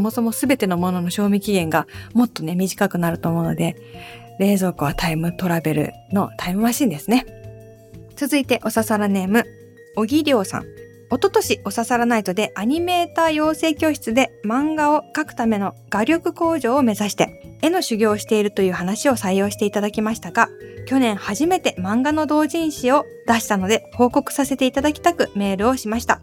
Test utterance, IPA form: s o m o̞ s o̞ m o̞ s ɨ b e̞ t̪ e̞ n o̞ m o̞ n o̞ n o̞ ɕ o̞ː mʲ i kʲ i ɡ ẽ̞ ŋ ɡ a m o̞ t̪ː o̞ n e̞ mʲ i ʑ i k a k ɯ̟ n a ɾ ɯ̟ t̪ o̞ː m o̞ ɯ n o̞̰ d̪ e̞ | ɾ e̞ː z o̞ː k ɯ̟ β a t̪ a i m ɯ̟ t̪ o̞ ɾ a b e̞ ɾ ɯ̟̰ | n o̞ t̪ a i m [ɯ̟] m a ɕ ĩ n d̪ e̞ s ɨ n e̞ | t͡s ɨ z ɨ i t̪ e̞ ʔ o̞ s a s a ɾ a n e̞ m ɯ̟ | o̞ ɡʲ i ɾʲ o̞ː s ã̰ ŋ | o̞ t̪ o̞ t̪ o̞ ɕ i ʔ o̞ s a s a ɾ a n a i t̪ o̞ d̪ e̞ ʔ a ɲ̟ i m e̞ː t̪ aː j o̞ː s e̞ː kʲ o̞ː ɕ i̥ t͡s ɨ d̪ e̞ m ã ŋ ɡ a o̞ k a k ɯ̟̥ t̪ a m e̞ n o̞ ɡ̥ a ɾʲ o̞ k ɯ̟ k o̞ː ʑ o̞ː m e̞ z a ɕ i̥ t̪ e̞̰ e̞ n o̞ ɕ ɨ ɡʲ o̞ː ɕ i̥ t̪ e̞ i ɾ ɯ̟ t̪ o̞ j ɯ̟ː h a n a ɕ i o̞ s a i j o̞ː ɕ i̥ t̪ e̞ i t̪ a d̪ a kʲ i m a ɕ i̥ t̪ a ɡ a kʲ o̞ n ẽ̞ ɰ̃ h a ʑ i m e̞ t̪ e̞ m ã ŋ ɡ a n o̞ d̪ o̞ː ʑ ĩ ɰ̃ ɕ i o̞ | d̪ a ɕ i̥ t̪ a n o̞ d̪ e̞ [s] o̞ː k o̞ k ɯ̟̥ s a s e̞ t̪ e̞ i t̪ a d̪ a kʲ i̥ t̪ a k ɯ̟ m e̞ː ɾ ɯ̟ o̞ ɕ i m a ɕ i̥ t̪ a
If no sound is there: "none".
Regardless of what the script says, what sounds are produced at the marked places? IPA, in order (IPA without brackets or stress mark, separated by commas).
ɯ̟, h